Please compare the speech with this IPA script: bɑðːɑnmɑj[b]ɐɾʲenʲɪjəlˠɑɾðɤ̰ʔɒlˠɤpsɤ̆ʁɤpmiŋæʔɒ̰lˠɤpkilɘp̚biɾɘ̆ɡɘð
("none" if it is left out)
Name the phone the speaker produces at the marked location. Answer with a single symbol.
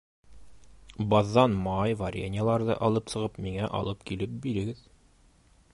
v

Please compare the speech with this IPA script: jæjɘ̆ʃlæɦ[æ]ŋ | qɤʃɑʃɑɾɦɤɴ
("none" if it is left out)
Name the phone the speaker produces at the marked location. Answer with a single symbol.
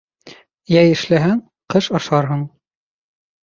æ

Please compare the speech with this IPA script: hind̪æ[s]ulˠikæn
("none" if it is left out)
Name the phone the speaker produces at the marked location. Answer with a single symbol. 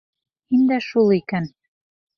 ʃ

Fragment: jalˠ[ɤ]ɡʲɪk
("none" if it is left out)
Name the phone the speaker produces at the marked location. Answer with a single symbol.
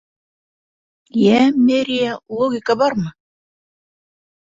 o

